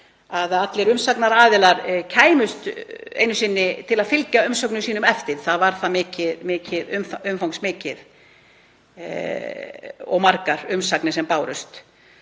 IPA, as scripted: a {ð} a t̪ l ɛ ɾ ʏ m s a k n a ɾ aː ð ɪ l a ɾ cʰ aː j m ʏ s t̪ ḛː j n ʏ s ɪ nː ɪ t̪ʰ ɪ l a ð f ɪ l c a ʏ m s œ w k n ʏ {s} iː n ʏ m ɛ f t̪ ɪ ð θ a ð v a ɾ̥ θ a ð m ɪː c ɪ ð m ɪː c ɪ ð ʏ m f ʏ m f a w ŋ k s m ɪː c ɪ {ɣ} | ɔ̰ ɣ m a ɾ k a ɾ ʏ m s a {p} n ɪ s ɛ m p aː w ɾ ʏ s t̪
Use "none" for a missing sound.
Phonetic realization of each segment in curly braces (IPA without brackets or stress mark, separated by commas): ð, s, ð, k